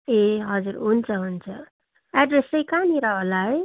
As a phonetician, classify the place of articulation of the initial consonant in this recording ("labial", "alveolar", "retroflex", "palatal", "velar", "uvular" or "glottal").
glottal